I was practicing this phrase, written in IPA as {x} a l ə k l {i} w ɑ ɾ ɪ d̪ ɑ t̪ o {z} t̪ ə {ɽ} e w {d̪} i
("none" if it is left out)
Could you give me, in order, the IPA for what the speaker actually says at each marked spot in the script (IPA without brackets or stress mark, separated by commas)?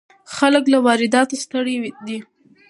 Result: x, a, s, ɽ, d̪